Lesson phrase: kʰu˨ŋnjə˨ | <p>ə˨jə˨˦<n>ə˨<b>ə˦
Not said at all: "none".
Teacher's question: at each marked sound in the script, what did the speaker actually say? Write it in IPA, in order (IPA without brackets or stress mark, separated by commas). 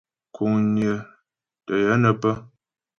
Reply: t, n, p